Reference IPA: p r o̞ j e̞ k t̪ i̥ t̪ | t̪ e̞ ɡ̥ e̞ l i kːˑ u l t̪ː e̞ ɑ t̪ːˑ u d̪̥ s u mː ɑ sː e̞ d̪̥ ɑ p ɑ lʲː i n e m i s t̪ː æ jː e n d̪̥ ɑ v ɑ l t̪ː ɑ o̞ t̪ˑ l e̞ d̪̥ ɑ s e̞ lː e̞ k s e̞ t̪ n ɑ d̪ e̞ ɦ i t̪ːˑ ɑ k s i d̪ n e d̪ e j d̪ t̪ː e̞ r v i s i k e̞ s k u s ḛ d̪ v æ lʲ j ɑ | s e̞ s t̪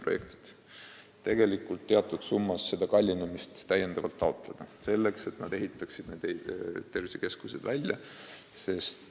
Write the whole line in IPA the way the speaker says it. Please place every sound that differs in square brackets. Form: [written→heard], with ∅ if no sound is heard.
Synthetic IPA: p r o̞ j e̞ k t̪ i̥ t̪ | t̪ e̞ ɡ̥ e̞ l i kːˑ u l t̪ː e̞ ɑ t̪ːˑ u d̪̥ s u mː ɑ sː e̞ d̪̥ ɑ [p→k] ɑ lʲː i n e m i s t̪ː æ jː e n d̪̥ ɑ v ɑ l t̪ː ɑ o̞ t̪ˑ l e̞ d̪̥ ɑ s e̞ lː e̞ k s e̞ t̪ n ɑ d̪ e̞ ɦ i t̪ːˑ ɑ k s i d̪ n e d̪ e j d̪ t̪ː e̞ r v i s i k e̞ s k u s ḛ d̪ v æ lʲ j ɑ | s e̞ s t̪

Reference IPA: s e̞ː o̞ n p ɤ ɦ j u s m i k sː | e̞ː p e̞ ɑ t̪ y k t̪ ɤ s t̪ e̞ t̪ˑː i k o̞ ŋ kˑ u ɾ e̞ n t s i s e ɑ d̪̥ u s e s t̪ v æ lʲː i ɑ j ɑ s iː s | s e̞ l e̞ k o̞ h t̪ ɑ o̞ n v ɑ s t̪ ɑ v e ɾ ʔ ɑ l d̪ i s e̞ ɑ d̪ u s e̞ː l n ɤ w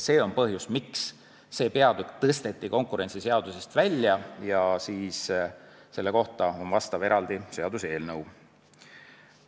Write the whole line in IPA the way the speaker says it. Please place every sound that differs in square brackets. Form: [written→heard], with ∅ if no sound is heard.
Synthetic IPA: s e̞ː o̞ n p ɤ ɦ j u s m i k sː | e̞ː p e̞ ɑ [t̪→d̪] y k t̪ ɤ s t̪ e̞ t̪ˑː i k o̞ ŋ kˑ u ɾ e̞ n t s i s e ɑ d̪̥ u s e s t̪ v æ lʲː [i→j] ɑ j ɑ s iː s | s e̞ [l→lː] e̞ k o̞ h t̪ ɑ o̞ n v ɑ s t̪ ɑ v e ɾ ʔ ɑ l d̪ i s e̞ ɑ d̪ u s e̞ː l n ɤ w

